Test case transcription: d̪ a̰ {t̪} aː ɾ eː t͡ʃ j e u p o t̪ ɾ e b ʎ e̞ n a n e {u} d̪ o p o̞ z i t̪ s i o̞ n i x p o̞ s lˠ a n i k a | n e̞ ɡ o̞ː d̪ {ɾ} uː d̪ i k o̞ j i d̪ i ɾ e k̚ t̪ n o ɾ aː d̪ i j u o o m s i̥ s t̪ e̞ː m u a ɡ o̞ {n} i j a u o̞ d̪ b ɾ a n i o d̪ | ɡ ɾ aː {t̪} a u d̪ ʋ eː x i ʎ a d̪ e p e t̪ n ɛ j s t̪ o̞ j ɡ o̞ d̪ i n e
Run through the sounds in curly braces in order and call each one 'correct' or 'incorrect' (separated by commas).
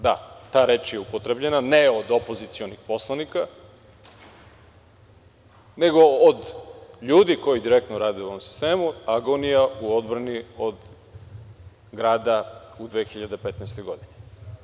correct, incorrect, incorrect, correct, incorrect